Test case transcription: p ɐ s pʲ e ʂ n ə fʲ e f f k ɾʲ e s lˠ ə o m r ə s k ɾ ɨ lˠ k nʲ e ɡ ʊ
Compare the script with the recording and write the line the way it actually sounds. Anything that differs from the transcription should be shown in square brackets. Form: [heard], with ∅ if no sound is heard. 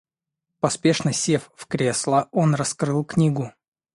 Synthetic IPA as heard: p ɐ s pʲ e ʂ n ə [sʲ] e f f k ɾʲ e s lˠ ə o [n] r [ɐ] s k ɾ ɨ lˠ k nʲ [i] ɡ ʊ

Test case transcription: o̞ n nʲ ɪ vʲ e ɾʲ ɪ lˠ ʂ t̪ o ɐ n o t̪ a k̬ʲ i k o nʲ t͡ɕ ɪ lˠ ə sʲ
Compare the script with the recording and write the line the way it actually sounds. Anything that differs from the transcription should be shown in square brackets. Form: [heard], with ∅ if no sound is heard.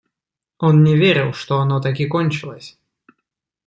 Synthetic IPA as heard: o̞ n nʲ ɪ vʲ e ɾʲ ɪ lˠ ʂ t̪ o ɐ n o t̪ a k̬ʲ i k o nʲ t͡ɕ ɪ lˠ ə sʲ

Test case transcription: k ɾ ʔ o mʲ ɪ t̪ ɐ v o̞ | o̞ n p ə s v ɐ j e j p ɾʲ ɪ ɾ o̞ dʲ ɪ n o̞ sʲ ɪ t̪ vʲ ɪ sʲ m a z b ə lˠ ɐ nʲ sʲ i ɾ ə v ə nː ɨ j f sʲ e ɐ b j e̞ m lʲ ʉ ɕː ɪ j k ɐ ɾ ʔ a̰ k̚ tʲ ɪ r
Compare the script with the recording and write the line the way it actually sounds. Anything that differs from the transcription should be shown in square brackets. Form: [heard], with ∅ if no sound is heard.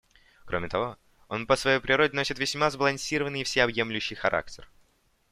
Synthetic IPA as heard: k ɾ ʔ o mʲ ɪ t̪ ɐ v o̞ | o̞ n p ə s v ɐ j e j p ɾʲ ɪ ɾ o̞ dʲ ɪ n o̞ sʲ ɪ t̪ vʲ ɪ sʲ m a z b ə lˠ ɐ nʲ sʲ i ɾ ə v ə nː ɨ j f sʲ e ɐ b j e̞ m lʲ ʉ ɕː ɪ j [x] ɐ ɾ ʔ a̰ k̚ tʲ ɪ r

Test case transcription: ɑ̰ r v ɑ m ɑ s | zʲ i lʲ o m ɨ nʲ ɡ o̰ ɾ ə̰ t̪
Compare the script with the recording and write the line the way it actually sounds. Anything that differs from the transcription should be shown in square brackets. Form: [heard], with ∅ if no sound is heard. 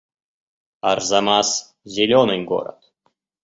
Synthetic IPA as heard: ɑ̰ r [z] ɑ m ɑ s | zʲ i lʲ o [n] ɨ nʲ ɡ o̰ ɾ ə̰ t̪

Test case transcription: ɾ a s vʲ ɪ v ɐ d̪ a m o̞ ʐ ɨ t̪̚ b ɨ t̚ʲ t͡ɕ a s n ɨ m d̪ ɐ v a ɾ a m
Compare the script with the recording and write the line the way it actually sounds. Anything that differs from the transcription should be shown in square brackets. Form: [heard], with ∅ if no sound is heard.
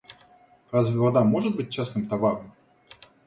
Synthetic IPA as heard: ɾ a [z] vʲ ɪ v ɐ d̪ a m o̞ ʐ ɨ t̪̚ b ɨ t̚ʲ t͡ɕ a s n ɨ m [t̪] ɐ v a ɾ [ə] m

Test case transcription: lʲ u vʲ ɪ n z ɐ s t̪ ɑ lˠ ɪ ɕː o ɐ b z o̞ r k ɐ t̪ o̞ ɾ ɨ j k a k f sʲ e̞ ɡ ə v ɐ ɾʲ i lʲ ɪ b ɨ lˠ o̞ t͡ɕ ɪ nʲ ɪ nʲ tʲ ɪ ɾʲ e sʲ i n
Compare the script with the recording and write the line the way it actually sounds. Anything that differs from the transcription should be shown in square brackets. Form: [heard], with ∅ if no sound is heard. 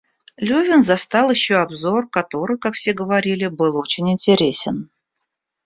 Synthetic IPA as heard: lʲ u vʲ ɪ n z ɐ s t̪ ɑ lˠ ɪ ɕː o ɐ b z o̞ r k ɐ t̪ o̞ ɾ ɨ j k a k f sʲ e̞ ɡ ə v ɐ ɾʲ i lʲ ɪ b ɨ lˠ o̞ t͡ɕ ɪ nʲ ɪ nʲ tʲ ɪ ɾʲ e sʲ [ɪ] n

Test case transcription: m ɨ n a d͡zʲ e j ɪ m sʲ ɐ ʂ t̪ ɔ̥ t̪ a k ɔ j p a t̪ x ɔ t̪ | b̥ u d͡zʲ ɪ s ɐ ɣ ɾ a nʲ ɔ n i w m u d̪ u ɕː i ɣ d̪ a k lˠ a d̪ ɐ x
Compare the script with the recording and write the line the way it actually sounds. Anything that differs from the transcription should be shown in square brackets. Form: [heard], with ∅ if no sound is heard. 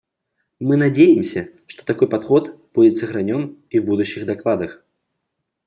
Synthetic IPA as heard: m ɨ n a d͡zʲ e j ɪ m sʲ ɐ ʂ t̪ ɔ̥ t̪ a k ɔ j p a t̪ x ɔ t̪ | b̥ u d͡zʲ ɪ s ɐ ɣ ɾ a nʲ ɔ n i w [b] u d̪ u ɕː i ɣ d̪ a k lˠ a d̪ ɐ x

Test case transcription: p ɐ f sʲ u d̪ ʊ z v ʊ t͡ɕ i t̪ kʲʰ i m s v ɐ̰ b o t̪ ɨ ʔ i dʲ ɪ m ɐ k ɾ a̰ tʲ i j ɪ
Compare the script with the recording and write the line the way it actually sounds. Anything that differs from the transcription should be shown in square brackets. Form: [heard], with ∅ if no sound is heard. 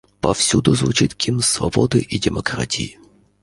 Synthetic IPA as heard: p ɐ f sʲ u d̪ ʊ z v ʊ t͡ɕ i t̪ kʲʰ i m s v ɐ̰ b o [d̪] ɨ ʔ i dʲ ɪ m ɐ k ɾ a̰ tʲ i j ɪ

